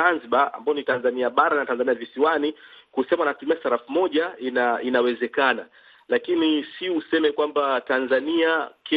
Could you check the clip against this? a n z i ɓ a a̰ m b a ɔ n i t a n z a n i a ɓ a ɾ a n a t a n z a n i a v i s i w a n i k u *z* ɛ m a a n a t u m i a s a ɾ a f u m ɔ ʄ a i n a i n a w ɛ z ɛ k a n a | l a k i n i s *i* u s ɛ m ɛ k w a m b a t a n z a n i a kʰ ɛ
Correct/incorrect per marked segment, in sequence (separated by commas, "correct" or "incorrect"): incorrect, correct